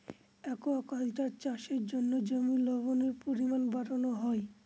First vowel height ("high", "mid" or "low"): mid